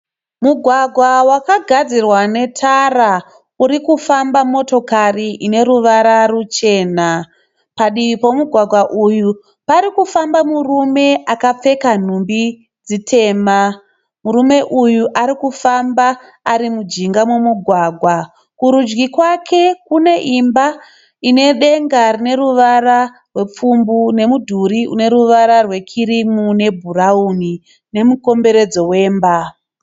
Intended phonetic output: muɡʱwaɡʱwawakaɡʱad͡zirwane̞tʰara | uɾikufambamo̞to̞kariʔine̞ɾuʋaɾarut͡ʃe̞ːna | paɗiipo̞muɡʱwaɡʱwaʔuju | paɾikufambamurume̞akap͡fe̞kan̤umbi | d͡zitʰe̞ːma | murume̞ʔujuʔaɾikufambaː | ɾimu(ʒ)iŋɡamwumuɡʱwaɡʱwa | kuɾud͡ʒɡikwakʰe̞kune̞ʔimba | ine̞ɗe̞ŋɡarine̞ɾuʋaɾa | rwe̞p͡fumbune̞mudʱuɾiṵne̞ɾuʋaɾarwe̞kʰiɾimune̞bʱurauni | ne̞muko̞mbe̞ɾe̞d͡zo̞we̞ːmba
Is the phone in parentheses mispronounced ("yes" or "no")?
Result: yes